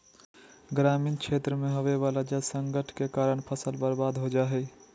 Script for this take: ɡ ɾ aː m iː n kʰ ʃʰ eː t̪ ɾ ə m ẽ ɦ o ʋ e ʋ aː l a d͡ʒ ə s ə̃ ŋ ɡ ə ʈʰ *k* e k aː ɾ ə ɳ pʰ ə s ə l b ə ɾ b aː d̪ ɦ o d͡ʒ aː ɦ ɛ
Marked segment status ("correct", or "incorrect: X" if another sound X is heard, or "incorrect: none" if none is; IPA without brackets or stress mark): correct